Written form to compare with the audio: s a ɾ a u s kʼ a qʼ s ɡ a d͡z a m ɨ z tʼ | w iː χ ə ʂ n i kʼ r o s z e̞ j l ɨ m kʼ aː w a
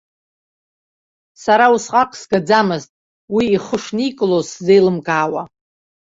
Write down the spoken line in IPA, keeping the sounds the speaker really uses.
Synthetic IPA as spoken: s a ɾ a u s qʼ a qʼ s ɡ a d͡z a m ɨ z tʼ | w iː χ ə ʂ n i kʼ l o s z e̞ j l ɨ m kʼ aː w a